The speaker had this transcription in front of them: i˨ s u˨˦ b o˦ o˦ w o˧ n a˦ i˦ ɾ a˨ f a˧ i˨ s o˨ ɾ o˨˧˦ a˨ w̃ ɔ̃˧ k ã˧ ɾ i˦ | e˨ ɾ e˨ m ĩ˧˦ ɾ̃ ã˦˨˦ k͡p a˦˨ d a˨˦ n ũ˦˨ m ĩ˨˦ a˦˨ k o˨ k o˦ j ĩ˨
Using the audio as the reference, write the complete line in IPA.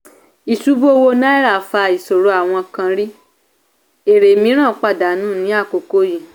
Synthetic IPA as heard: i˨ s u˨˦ b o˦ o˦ w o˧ n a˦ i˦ ɾ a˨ f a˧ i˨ s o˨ ɾ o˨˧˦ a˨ w̃ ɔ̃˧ k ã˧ ɾ i˦ | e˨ ɾ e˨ m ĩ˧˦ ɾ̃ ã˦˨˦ k͡p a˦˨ d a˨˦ n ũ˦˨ n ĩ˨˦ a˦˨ k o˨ k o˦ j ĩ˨